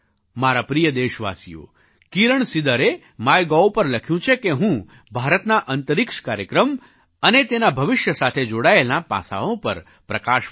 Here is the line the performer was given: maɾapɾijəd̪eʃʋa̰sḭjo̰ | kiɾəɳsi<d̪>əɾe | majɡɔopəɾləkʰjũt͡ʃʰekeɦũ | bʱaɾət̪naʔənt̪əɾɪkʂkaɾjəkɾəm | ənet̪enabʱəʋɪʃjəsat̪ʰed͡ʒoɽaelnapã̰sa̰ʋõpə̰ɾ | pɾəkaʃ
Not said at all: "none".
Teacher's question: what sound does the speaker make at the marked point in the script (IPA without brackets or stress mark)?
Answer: d̪